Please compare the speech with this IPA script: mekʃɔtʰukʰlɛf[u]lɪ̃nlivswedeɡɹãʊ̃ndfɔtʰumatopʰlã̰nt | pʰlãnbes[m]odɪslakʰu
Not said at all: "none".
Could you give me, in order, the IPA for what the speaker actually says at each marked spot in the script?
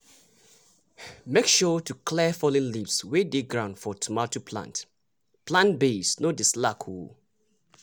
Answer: ɔ, n

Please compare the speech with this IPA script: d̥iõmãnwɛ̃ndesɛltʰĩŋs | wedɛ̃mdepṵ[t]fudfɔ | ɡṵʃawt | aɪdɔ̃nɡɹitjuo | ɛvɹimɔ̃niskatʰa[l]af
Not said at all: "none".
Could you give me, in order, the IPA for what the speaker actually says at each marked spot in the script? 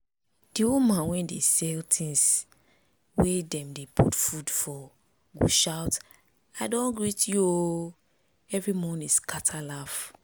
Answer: t, l

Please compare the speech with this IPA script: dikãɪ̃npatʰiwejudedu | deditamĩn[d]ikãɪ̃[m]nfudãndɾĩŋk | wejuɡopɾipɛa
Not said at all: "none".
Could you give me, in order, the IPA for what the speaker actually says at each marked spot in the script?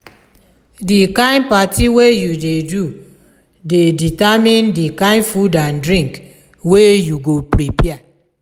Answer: d, none

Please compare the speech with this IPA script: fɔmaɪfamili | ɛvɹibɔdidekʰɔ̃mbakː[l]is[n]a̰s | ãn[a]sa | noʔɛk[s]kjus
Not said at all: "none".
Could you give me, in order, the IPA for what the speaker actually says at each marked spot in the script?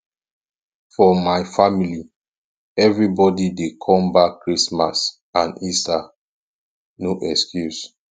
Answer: ɹ, m, i, s

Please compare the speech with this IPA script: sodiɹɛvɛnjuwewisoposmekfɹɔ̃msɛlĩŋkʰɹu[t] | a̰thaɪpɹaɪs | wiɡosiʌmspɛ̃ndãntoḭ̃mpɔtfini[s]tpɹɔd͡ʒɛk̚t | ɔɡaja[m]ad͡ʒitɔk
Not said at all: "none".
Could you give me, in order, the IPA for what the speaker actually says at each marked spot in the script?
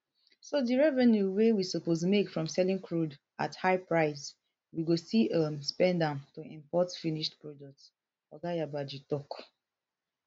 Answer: d, ʃ, b

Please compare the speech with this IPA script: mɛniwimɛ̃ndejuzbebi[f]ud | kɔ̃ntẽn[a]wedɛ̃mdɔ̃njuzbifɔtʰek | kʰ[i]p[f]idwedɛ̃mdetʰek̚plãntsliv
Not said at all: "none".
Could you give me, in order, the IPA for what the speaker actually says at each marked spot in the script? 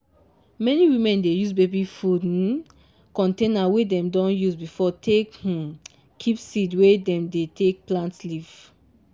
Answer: f, a, i, s

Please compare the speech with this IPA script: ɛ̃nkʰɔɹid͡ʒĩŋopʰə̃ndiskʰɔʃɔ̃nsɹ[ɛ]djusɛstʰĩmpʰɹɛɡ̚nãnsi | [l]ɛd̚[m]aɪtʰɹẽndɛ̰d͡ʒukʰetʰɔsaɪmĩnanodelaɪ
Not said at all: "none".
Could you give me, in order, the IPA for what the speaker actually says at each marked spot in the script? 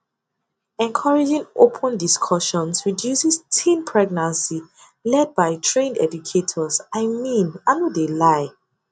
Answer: i, l, b

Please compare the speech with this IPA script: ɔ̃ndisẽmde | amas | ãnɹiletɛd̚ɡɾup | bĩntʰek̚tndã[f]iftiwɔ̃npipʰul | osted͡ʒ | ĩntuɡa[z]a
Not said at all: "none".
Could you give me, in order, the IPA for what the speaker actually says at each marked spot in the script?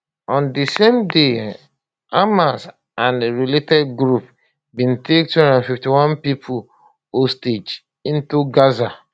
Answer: f, z

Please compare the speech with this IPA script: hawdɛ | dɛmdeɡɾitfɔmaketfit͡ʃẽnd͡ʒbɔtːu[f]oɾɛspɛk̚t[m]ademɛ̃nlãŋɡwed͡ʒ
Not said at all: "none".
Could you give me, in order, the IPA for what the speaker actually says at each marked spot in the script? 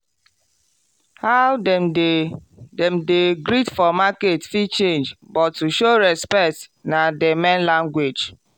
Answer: ʃ, n

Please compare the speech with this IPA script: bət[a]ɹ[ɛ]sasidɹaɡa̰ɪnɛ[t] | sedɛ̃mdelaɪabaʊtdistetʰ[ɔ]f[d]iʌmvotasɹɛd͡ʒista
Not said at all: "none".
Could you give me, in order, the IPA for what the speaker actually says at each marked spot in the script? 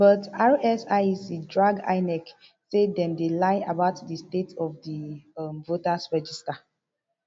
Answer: a, ɛ, k, ɔ, d

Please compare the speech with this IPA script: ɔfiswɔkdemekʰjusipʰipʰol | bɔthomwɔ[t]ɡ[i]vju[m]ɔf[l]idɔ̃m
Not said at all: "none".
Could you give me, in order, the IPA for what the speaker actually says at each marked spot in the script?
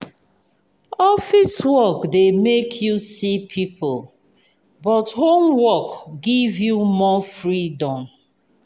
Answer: k, i, m, ɹ

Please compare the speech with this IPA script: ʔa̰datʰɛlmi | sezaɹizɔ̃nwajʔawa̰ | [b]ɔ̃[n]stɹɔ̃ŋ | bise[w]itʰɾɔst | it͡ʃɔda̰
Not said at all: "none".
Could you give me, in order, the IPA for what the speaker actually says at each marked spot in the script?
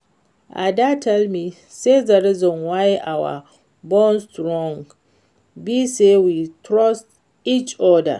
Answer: b, n, w

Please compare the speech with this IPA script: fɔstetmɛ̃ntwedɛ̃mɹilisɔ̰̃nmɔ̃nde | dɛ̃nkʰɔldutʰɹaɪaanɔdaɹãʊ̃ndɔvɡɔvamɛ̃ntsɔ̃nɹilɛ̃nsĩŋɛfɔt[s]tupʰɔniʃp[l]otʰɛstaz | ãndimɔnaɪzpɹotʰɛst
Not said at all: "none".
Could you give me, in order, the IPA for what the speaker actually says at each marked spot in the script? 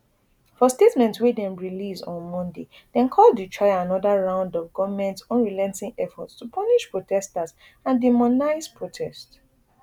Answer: s, ɹ

